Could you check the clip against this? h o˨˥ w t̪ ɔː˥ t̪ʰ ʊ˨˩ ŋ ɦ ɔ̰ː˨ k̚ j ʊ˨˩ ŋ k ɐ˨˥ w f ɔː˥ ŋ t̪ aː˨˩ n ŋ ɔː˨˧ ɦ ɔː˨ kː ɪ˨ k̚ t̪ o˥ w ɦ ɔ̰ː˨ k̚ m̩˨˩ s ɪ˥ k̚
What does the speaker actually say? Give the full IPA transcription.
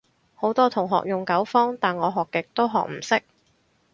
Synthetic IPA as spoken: h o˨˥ w t̪ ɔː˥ t̪ʰ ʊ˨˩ ŋ ɦ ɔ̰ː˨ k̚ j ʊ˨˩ ŋ k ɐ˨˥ w f ɔː˥ ŋ t̪ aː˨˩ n ŋ ɔː˨˧ ɦ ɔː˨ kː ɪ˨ k̚ t̪ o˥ w ɦ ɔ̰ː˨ k̚ m̩˨˩ s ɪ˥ k̚